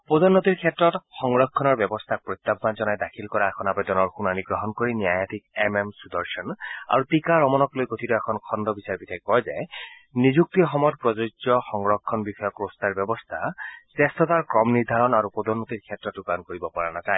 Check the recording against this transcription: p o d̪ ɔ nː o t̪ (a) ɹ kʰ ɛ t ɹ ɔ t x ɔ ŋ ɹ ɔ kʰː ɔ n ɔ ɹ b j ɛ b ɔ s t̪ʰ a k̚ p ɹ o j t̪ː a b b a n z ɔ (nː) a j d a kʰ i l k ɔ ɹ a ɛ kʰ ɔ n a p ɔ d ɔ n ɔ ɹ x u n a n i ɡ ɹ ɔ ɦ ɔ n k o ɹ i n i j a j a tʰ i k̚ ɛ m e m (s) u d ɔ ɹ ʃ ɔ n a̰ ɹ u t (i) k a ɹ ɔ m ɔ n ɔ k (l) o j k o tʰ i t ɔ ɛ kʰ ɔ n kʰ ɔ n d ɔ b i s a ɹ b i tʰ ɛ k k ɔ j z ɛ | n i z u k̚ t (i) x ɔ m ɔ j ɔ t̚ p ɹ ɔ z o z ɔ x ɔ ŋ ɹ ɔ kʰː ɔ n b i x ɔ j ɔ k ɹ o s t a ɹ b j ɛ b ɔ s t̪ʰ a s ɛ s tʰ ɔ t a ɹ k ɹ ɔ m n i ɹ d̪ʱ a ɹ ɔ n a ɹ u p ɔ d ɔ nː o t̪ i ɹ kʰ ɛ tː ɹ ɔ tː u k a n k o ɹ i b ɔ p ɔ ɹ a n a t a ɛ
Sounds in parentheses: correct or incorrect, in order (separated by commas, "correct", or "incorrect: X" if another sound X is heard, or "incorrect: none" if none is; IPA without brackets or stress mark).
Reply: incorrect: i, incorrect: n, correct, correct, correct, correct